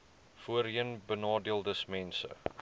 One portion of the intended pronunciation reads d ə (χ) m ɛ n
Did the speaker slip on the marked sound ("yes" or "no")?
yes